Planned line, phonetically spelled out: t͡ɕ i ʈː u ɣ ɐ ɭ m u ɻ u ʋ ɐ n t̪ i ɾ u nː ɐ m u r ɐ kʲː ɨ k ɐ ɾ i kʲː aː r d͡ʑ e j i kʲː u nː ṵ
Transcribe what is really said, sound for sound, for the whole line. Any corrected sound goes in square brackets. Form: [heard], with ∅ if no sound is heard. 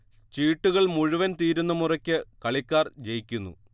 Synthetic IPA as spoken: t͡ɕ [iː] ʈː u ɣ ɐ ɭ m u ɻ u ʋ ɐ n t̪ [iː] ɾ u nː ɐ m u r ɐ kʲː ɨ k ɐ [ɭ] i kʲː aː r d͡ʑ e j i kʲː u nː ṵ